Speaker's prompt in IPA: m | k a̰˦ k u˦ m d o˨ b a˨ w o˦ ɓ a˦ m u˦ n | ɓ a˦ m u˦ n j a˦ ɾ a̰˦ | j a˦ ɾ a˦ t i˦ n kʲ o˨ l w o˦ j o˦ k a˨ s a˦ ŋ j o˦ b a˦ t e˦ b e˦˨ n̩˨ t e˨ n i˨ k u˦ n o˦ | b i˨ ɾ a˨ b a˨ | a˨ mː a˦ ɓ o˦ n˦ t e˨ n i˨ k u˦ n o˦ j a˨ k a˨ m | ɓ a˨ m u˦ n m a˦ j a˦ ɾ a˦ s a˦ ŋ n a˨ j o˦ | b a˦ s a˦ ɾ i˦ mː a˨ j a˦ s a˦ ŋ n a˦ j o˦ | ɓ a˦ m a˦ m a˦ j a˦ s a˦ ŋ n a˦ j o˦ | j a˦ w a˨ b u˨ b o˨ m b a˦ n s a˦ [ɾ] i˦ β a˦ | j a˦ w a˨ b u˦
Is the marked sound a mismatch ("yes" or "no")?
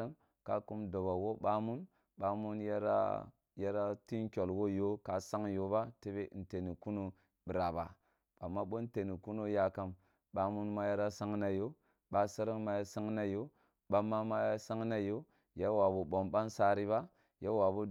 no